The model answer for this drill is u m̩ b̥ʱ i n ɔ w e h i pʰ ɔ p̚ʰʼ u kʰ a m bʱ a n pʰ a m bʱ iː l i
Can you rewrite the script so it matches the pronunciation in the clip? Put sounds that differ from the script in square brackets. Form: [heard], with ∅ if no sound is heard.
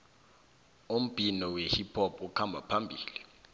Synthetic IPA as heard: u m̩ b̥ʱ i n ɔ w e h i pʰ ɔ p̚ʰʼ u kʰ a m bʱ a [∅] pʰ a m bʱ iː l i